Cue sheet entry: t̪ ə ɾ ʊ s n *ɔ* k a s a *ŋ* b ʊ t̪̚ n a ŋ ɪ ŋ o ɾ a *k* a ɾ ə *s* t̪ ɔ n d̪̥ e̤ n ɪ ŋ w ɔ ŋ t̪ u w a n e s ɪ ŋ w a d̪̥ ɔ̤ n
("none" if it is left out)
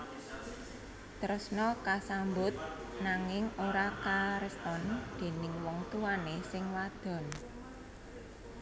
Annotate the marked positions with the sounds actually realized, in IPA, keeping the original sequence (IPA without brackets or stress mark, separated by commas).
ɔ, m, k, s